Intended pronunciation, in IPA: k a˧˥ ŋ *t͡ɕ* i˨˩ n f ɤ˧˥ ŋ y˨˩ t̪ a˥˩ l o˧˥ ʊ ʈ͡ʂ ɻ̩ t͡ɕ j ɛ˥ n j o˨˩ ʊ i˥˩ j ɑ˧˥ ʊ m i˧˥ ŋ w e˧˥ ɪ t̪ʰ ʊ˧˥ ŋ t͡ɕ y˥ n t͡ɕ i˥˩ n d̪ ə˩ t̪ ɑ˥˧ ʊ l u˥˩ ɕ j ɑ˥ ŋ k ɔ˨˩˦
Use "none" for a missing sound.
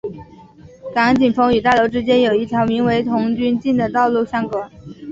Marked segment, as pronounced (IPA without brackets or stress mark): t͡ɕ